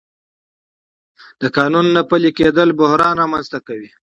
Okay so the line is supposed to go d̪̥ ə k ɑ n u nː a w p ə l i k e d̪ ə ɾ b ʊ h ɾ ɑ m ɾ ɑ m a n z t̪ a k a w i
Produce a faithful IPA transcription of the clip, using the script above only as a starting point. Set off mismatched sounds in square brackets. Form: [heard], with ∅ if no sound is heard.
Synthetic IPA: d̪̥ ə k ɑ n u nː a [∅] p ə l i k e d̪ ə [l] b ʊ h ɾ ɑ [n] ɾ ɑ m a n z t̪ a k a w i